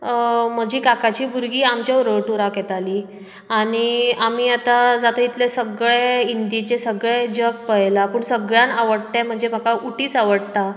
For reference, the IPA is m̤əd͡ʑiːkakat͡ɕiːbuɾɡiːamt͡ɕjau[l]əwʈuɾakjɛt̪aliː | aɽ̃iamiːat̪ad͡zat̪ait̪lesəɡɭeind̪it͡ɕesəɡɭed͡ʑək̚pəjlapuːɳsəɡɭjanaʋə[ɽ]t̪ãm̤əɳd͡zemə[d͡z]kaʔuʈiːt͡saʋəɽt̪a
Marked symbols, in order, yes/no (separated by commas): no, yes, no